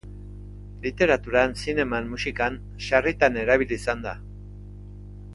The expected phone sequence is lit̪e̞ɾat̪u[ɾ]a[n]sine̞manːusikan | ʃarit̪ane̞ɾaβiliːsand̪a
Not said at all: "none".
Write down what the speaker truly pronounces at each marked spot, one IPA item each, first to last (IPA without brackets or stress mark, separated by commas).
ɾ, n